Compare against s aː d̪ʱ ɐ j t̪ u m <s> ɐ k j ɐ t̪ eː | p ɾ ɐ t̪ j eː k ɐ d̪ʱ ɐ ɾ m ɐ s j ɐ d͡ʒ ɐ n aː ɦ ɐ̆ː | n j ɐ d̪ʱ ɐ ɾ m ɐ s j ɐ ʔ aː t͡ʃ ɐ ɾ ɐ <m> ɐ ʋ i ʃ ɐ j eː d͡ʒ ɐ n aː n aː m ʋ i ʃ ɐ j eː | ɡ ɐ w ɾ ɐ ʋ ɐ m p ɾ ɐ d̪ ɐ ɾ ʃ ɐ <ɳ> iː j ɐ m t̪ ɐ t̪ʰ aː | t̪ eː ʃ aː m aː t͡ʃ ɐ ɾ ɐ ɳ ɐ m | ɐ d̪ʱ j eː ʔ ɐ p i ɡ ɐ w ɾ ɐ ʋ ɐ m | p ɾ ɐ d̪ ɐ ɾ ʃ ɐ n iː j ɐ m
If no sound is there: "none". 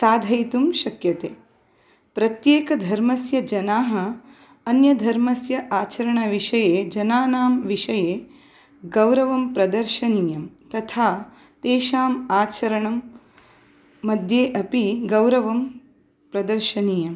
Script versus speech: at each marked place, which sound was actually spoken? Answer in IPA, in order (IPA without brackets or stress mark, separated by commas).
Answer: ʃ, ɳ, n